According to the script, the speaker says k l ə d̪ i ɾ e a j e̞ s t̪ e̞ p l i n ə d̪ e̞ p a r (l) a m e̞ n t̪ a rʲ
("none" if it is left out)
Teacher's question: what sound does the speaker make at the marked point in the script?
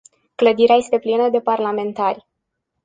l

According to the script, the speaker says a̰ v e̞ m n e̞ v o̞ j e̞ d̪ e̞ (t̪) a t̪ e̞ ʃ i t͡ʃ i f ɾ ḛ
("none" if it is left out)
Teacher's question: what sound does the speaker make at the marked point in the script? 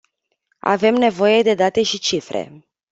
d̪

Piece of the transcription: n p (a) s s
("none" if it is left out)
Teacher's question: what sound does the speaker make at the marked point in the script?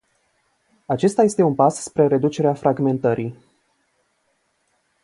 a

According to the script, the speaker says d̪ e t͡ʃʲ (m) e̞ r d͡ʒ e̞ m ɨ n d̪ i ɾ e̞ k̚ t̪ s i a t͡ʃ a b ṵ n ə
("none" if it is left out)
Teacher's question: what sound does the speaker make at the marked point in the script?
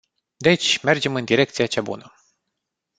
m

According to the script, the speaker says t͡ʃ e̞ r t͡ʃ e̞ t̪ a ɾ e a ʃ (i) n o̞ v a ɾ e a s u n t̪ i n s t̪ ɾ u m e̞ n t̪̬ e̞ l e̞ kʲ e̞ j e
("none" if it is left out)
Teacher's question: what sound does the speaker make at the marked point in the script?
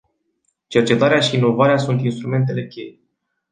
iː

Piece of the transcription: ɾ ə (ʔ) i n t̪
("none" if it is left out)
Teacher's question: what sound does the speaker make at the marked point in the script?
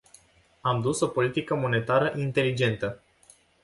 ʔ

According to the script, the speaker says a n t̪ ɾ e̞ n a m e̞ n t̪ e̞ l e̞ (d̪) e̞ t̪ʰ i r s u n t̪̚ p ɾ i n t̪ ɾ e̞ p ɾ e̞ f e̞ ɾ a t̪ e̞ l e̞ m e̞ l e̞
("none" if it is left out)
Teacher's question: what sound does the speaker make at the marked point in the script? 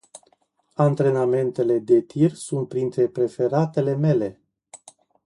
d̪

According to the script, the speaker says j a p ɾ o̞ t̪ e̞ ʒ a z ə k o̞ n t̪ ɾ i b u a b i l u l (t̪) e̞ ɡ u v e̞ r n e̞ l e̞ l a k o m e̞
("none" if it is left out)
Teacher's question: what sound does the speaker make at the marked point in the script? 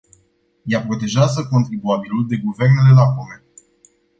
d̪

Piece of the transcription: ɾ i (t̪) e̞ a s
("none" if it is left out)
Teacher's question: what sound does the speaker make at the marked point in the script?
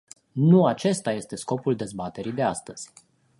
d̪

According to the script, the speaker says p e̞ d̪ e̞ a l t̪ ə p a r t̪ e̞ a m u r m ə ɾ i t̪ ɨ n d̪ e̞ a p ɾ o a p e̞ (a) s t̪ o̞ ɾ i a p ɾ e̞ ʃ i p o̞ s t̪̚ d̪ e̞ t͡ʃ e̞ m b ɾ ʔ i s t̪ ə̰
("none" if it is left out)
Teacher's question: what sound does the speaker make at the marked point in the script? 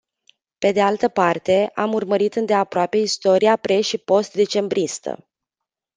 i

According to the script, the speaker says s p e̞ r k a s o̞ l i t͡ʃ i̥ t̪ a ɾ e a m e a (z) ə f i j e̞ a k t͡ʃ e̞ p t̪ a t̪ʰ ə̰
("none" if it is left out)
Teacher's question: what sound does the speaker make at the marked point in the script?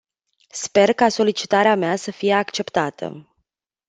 s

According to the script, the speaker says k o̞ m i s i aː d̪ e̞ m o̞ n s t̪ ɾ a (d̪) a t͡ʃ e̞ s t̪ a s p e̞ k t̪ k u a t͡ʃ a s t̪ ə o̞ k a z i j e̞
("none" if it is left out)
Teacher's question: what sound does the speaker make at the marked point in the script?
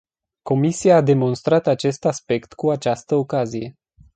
t̪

